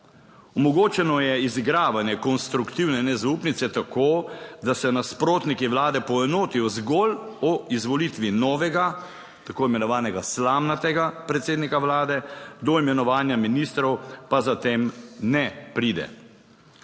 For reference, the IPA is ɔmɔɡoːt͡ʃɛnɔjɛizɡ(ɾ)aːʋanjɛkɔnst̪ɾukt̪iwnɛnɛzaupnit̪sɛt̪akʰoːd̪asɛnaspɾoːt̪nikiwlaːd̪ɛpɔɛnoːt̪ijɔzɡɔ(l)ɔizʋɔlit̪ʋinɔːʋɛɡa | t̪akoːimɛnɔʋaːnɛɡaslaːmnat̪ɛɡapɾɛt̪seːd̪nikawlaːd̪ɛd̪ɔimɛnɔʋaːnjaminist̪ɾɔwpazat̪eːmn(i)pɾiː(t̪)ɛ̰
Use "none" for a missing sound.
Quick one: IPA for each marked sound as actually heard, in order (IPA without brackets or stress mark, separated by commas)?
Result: ɾ, l, ɛ, d̪